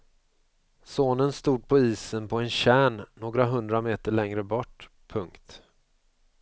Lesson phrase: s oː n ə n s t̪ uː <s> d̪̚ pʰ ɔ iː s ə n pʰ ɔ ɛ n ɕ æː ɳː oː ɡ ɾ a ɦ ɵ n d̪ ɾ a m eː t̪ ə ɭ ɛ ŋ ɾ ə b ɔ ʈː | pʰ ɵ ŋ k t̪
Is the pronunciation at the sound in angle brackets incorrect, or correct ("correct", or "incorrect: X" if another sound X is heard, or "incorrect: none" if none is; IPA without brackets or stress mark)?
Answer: incorrect: none